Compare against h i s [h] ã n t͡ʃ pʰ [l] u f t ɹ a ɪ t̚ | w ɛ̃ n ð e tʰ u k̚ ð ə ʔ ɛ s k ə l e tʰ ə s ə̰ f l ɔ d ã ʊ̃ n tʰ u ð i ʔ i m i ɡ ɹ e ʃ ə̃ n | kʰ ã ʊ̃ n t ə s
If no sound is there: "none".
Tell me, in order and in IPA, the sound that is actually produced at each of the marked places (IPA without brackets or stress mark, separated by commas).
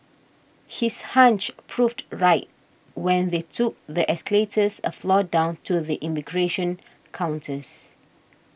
h, ɹ